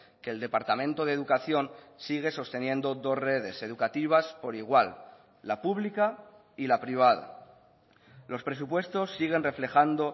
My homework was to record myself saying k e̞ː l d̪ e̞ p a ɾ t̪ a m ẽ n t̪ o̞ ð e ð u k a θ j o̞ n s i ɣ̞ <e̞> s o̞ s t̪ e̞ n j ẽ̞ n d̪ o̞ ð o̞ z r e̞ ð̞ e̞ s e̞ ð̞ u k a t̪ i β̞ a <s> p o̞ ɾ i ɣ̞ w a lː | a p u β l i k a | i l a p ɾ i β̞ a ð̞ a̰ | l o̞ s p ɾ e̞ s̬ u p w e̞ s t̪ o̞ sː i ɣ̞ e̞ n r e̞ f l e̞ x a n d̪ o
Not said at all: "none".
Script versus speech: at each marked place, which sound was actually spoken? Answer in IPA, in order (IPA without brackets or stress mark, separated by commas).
e̞, s